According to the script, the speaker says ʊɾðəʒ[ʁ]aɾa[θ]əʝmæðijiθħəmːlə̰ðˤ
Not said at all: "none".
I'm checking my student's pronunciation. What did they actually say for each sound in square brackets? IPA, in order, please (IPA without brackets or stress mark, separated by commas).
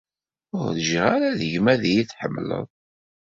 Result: ʁ, ð